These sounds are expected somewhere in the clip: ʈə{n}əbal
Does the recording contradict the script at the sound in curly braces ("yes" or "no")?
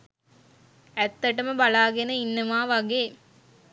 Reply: yes